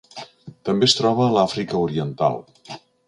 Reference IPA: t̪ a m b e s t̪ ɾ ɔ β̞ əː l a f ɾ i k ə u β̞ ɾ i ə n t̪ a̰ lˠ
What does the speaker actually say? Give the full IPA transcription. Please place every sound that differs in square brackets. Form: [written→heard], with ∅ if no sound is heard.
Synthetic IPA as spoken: t̪ [a→ə] m b e s t̪ ɾ ɔ β̞ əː l a f ɾ i k ə u [β̞→∅] ɾ i ə n t̪ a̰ lˠ

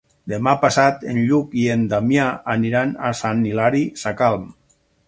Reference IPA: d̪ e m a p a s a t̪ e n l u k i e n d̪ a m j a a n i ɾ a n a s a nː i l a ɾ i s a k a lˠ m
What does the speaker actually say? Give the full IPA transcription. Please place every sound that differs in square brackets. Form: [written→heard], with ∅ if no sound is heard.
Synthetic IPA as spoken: d̪ e m a p a s a t̪ e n [l→ʎ] u k i e n d̪ a m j a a n i ɾ a n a s a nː i l a ɾ i s a k a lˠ m

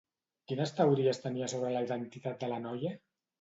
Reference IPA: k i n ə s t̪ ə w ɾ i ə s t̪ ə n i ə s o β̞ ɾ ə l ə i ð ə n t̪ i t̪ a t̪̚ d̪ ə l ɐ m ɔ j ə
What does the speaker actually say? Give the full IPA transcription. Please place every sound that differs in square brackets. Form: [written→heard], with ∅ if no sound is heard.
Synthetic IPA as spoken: k i n ə s t̪ ə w ɾ i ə s t̪ ə n i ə s o β̞ ɾ ə l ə i ð ə n t̪ i t̪ a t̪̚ d̪ ə l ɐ [m→n] ɔ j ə

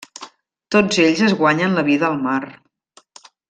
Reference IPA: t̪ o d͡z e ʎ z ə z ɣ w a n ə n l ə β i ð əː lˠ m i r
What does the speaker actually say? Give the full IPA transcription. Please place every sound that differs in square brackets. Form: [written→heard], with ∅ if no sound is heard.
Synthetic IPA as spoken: t̪ o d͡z e ʎ z ə z ɣ w a [n→ɲ] ə n l ə β i ð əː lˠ m [i→a] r

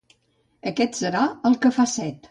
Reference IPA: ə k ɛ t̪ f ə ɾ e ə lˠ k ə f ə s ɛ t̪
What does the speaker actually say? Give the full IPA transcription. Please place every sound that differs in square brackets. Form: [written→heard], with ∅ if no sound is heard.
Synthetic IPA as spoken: ə k ɛ t̪ [f→s] ə ɾ [e→a] ə lˠ k ə f [ə→a] s ɛ t̪

